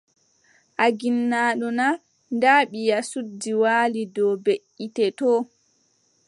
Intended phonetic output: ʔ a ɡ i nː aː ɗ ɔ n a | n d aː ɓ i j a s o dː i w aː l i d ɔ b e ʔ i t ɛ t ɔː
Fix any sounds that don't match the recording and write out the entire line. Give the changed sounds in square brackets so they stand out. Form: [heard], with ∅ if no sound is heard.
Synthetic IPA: ʔ a ɡ i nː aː ɗ ɔ n a | n d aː ɓ i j a s [u] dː i w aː l i d ɔ b e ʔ i t ɛ t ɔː